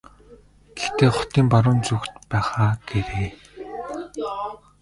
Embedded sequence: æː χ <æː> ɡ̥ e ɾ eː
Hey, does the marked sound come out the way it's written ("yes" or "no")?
no